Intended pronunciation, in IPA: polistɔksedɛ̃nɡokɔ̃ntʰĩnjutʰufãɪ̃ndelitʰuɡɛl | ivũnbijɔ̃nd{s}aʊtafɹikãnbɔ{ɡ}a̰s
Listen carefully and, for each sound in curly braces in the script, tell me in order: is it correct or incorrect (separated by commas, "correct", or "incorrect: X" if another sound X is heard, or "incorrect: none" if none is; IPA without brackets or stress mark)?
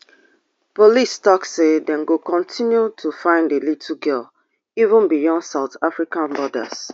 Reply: correct, incorrect: d